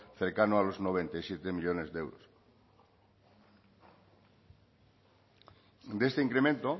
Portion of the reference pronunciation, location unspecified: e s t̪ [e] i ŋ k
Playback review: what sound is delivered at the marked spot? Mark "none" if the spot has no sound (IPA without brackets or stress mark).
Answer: e